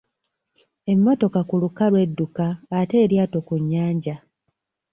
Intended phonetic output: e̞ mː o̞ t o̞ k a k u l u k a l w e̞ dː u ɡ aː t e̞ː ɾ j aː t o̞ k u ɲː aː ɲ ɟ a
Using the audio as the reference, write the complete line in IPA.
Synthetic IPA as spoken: e̞ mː o̞ t o̞ k a k u l u k a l w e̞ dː u k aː t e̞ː ɾ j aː t o̞ k u ɲː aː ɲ ɟ a